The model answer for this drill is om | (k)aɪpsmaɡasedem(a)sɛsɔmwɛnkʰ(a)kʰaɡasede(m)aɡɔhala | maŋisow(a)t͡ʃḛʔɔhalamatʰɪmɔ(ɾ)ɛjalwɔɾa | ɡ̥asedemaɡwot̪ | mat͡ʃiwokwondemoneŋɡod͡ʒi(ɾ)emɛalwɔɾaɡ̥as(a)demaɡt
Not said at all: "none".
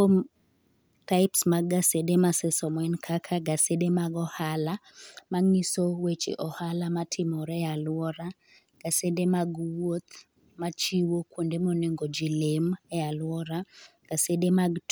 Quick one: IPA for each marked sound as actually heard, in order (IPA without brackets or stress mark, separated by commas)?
t, a, a, m, e, ɾ, l, e